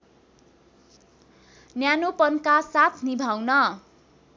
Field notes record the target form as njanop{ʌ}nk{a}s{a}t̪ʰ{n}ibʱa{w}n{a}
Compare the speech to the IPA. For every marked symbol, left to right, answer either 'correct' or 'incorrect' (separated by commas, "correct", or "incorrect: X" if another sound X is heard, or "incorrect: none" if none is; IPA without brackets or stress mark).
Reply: correct, correct, correct, correct, correct, incorrect: ʌ